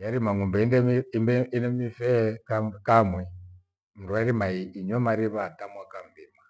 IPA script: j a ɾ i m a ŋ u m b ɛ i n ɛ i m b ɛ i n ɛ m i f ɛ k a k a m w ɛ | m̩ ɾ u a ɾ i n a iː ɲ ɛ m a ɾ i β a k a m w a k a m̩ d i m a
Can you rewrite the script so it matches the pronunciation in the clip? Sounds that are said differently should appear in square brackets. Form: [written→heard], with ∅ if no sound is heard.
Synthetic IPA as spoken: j a ɾ i m a ŋ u m b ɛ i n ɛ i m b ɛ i n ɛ m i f ɛ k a k a m w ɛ | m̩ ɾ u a ɾ i [n→m] a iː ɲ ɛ m a ɾ i β a [k→t] a m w a k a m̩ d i m a